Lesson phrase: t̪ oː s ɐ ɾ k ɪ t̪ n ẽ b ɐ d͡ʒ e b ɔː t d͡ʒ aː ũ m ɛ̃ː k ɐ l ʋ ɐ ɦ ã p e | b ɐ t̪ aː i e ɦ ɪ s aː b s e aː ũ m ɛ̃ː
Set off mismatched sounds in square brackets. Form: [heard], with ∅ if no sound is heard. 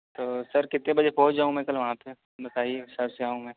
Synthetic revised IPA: t̪ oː s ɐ ɾ k ɪ t̪ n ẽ b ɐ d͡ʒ e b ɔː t d͡ʒ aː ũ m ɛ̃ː k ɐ l ʋ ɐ ɦ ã p e | b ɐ t̪ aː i e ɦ ɪ s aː b s e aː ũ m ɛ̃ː